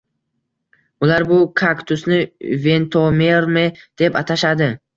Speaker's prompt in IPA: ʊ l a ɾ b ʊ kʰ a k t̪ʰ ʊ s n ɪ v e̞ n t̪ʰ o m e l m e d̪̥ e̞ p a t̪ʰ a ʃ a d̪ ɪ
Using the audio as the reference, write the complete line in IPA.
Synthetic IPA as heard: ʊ l a ɾ b ʊ kʰ a k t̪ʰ ʊ s n ɪ v e̞ n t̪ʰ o m e ɾ m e d̪̥ e̞ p a t̪ʰ a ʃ a d̪ ɪ

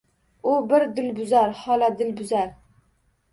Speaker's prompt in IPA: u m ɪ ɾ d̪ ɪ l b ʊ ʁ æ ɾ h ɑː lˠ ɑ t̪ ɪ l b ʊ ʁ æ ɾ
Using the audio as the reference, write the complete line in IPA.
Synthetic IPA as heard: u b ɪ ɾ d̪ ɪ l b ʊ z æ ɾ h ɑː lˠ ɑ d̪ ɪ l b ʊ z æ ɾ

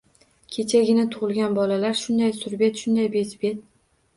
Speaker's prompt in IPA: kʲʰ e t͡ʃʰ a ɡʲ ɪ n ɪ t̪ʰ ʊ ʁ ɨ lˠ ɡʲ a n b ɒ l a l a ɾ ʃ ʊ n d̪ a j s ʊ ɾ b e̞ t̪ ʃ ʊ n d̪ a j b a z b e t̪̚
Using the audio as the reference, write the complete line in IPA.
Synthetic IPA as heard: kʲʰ e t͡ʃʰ a ɡʲ ɪ n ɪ t̪ʰ ʊ ʁ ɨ lˠ ɡʲ a n b ɒ l a l a ɾ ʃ ʊ n d̪ a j s ʊ ɾ b e̞ t̪ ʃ ʊ n d̪ a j b e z b e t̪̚

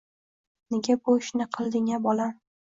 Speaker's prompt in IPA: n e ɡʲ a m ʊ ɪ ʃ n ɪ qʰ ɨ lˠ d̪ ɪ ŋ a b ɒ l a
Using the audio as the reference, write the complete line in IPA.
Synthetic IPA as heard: n e ɡʲ a b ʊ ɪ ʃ n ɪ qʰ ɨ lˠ d̪ ɪ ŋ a b ɒ l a

